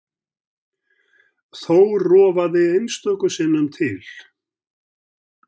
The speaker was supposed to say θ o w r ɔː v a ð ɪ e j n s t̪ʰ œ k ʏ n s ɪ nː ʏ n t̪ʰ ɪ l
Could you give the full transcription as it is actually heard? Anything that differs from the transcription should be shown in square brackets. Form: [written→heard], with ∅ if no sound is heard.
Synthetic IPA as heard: θ o w r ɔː v a ð ɪ e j n s [t̪ʰ→t̪] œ k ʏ [n→∅] s ɪ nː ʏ [n→m] t̪ʰ ɪ l